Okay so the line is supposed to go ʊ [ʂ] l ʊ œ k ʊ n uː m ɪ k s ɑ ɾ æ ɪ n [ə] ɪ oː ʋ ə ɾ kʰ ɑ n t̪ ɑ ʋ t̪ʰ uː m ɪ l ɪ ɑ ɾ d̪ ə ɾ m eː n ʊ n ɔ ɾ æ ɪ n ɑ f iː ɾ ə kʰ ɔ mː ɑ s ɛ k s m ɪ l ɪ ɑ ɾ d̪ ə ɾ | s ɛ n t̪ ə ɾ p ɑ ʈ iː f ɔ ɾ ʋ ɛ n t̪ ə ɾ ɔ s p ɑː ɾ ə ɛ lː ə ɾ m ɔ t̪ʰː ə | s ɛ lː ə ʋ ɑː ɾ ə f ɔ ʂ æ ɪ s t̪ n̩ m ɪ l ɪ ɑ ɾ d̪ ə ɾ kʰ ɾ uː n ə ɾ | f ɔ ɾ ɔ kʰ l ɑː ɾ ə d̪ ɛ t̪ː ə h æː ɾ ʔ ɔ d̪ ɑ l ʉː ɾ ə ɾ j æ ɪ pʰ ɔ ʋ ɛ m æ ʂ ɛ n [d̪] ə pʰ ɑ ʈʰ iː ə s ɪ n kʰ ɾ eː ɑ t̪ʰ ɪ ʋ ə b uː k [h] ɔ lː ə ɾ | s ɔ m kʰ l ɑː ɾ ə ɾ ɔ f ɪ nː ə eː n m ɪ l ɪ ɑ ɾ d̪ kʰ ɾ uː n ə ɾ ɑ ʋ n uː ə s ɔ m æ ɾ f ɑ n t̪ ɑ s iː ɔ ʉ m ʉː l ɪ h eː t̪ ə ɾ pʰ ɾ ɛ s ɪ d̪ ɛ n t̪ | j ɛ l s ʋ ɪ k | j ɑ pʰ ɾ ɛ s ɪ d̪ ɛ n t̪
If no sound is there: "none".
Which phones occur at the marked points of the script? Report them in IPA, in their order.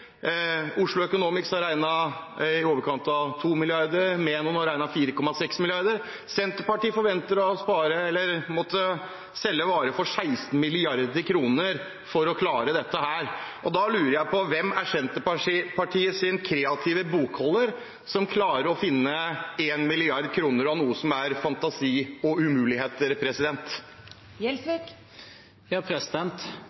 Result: ʂ, ɑ, t̪, h

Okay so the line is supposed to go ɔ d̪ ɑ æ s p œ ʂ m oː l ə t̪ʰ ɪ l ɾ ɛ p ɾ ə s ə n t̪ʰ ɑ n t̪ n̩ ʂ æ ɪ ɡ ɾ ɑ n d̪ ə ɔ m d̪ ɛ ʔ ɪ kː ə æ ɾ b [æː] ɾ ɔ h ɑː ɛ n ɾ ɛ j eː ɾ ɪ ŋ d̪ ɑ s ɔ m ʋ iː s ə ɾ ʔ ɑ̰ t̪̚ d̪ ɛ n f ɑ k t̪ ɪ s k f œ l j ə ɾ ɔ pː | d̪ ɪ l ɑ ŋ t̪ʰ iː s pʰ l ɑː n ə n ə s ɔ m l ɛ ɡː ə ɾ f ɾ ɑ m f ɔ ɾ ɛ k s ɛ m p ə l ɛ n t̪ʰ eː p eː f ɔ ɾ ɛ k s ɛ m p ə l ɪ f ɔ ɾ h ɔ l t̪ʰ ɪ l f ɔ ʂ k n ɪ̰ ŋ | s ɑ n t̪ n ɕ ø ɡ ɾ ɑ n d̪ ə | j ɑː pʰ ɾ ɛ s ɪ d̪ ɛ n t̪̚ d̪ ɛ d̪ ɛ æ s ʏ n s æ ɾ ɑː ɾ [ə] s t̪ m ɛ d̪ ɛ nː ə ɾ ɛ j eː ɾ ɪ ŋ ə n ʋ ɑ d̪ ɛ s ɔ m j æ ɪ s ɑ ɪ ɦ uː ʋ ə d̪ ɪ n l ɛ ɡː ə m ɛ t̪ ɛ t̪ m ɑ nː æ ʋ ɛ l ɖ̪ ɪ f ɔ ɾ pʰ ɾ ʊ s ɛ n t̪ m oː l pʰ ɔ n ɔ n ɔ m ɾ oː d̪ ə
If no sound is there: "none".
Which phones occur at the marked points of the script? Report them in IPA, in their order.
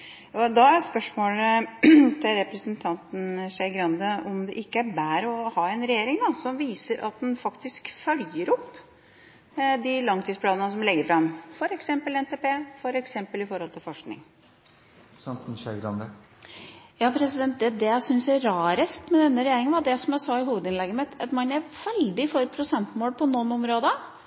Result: æː, ə

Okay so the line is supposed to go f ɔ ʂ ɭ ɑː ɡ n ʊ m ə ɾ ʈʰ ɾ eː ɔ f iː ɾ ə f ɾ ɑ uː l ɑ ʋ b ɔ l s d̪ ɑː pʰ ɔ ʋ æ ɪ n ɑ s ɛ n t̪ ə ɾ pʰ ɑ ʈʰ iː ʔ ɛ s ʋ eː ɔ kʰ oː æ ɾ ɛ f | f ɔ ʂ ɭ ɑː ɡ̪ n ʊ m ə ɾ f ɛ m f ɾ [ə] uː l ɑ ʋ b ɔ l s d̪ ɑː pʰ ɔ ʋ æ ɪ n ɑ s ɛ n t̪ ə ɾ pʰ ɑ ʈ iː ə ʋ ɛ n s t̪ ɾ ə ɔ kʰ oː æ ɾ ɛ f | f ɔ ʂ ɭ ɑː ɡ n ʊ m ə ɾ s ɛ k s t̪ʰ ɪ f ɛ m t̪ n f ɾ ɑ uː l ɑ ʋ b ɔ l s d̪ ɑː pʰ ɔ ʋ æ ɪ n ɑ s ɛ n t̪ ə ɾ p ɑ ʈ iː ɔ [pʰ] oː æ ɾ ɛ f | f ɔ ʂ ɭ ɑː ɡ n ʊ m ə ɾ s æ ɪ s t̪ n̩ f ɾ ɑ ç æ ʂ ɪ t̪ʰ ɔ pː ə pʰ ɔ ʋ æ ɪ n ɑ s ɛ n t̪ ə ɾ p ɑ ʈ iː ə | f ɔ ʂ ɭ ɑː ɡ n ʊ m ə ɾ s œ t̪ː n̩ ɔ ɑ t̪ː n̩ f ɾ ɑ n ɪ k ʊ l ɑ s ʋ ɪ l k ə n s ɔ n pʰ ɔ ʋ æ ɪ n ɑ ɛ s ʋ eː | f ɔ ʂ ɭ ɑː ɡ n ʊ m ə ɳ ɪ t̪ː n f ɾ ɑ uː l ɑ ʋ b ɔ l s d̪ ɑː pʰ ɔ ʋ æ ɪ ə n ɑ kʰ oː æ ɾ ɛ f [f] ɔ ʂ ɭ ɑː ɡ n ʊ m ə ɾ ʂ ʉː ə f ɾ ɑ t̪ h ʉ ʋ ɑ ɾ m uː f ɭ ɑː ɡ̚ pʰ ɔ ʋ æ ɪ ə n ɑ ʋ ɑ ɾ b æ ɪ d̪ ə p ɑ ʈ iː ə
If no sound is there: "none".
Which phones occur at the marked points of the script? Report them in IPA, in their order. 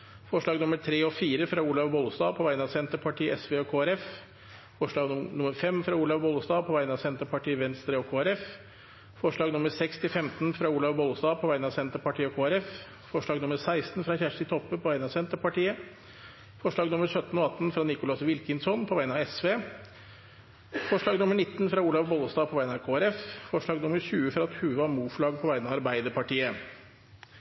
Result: ɑ, kʰ, f

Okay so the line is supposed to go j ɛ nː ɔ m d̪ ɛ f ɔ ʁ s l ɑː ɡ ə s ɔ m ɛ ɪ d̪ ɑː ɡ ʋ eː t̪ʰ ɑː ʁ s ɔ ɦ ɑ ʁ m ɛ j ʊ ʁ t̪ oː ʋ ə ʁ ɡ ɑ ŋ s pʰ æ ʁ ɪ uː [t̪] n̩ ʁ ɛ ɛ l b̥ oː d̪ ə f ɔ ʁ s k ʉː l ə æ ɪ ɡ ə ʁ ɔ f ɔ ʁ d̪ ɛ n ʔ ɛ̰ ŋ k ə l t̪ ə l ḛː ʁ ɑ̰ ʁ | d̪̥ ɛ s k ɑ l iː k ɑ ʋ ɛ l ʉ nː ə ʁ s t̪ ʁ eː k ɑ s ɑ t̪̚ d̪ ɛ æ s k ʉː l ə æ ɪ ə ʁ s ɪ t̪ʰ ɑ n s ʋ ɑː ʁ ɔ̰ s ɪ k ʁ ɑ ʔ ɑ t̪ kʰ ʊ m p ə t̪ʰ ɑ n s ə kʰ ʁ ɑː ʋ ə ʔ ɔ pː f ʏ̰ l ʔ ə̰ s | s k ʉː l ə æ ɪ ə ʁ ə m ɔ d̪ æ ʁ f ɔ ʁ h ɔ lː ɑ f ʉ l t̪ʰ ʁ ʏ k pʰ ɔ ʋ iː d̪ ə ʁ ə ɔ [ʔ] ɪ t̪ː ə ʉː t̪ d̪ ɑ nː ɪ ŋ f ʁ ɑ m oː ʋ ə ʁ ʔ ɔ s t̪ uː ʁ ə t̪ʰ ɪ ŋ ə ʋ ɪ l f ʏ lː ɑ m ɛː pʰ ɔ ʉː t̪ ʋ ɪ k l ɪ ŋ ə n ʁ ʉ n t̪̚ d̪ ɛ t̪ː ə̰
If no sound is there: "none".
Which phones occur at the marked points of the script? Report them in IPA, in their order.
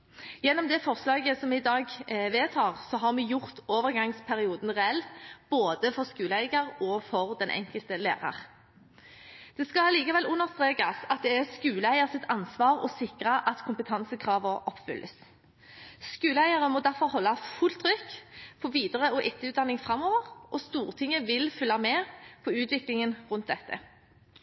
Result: d̪, ʔ

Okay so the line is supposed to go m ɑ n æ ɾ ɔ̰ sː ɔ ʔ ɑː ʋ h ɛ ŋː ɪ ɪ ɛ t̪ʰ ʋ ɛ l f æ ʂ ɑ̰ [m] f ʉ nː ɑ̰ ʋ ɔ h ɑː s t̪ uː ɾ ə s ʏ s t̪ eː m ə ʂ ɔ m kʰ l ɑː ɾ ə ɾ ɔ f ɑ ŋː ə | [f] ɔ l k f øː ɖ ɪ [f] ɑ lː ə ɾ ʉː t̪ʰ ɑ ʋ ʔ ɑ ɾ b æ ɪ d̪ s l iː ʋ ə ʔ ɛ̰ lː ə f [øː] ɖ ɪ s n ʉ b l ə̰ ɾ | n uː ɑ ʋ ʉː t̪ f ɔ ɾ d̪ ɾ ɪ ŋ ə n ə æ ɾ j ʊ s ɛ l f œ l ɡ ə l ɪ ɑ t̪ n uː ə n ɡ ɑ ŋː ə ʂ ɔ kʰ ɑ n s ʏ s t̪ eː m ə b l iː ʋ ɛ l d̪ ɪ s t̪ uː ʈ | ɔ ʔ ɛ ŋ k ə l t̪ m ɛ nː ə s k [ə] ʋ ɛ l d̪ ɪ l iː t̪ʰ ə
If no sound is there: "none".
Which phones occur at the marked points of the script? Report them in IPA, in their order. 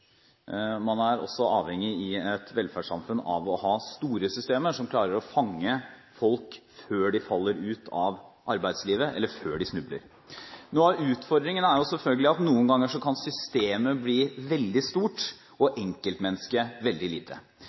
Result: m, f, f, øː, ə

